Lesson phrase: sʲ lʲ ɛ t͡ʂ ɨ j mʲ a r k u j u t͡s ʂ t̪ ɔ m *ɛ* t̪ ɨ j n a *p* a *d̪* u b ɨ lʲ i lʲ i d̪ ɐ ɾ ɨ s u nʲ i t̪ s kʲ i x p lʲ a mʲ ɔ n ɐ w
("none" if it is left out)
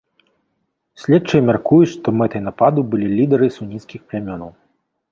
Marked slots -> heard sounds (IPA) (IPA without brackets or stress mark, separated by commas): ɛ, p, d̪